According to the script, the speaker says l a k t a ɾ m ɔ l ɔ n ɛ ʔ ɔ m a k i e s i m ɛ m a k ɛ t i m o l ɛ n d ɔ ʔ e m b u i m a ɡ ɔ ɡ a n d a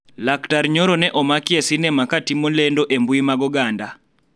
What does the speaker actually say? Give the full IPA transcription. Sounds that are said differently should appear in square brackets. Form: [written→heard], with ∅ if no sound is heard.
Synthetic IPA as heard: l a k t a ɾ [m→ɲ] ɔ [l→ɾ] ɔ n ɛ ʔ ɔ m a k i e s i [m→n] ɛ m a k [ɛ→a] t i m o l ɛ n d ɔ ʔ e m b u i m a ɡ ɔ ɡ a n d a